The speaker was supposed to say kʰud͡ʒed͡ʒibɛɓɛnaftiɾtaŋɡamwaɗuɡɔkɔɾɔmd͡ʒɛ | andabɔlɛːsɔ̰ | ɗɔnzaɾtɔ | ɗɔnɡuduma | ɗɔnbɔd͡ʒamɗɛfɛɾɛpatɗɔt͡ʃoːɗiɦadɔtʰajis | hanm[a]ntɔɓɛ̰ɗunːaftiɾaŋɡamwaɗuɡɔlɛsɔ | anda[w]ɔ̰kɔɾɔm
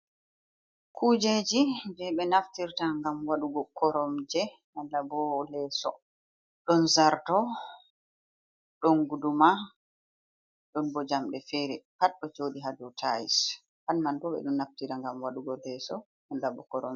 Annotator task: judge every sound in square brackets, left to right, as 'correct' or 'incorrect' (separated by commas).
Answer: correct, incorrect